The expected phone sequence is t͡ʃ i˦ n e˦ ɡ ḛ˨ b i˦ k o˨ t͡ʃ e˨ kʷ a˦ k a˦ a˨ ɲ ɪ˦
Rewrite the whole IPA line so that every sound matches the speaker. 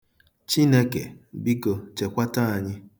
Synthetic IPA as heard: t͡ʃ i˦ n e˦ k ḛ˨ b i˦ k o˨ t͡ʃ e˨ kʷ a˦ t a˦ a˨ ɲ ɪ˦